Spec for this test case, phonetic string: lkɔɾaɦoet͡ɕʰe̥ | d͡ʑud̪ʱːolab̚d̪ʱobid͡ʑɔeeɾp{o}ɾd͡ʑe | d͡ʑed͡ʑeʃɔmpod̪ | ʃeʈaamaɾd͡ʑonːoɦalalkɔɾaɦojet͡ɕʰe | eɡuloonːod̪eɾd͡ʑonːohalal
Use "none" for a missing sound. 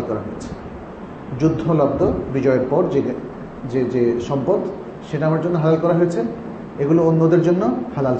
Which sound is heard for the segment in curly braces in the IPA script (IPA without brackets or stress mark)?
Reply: ɔ